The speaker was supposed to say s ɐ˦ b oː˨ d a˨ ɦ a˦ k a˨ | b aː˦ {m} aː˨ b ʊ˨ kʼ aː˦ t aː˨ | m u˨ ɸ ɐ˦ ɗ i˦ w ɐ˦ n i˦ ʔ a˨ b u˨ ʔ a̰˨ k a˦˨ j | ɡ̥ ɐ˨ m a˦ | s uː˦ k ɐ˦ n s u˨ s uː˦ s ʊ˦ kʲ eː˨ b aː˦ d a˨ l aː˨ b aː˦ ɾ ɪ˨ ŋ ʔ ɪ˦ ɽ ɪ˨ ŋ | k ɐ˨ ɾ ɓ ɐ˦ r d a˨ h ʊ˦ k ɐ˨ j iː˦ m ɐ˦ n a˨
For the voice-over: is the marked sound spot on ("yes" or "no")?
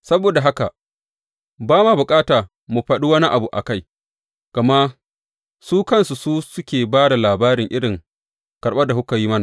yes